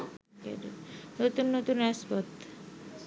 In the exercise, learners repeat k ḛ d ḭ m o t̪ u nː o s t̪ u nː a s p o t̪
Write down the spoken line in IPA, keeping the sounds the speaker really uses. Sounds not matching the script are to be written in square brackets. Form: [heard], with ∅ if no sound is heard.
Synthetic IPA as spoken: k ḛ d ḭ [n] o t̪ u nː o [∅] t̪ u [n] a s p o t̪